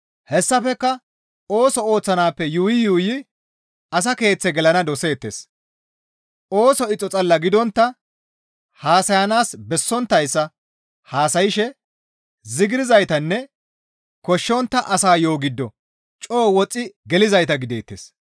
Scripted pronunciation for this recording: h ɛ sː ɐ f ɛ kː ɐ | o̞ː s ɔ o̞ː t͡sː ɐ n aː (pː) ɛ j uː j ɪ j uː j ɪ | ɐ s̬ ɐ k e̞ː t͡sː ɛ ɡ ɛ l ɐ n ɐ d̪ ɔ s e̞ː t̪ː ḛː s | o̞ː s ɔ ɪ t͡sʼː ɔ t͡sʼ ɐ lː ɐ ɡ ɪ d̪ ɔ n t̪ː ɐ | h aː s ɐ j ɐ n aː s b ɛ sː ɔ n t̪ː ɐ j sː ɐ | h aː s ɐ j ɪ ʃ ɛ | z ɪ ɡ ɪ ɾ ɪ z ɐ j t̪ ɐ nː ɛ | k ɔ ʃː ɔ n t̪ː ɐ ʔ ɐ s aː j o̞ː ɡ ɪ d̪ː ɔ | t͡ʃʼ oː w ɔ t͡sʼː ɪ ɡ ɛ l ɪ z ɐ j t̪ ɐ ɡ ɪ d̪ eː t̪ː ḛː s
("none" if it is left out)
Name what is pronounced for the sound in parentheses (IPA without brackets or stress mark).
pː